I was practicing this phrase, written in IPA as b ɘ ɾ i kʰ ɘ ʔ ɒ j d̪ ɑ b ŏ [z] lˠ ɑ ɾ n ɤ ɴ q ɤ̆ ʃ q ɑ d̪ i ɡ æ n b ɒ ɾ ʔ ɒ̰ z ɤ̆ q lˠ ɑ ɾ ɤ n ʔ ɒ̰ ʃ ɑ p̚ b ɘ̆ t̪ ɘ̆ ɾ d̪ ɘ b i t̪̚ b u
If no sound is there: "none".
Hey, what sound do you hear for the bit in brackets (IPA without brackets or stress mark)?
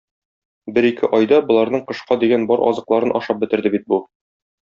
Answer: none